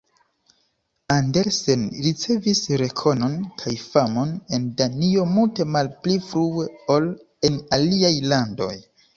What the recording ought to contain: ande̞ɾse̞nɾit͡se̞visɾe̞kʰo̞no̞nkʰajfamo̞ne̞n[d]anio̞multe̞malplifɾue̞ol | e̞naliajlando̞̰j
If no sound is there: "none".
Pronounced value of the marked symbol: d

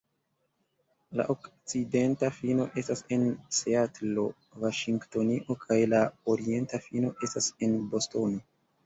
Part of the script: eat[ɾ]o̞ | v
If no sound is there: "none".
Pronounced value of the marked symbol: l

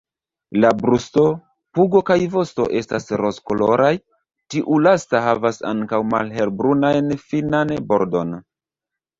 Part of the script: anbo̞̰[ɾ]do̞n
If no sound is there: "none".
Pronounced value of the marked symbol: ɾ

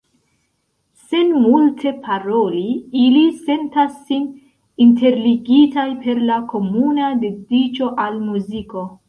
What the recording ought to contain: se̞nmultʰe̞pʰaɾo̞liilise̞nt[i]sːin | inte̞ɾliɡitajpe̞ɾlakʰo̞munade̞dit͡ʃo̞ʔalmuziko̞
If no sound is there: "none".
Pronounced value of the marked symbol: a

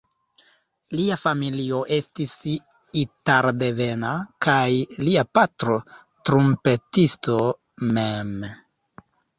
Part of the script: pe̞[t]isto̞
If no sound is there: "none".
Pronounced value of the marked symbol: t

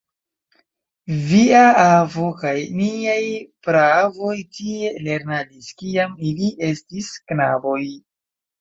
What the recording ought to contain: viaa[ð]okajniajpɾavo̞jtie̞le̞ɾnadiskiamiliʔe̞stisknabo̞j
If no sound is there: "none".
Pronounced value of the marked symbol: v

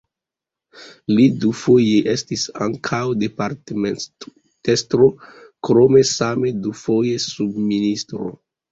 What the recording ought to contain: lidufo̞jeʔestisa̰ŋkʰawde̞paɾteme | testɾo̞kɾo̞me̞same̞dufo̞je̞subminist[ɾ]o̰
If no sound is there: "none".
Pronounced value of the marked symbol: ɾ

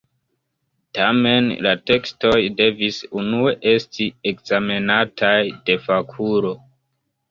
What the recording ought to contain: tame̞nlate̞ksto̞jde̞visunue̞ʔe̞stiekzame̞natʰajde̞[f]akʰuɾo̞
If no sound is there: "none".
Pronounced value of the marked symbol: f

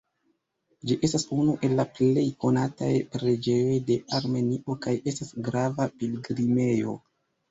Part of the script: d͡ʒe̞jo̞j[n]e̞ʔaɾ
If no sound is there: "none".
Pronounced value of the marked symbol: d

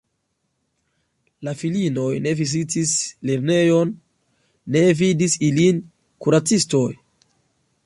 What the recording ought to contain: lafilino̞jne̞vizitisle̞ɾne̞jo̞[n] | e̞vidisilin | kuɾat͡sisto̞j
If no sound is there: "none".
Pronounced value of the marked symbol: nː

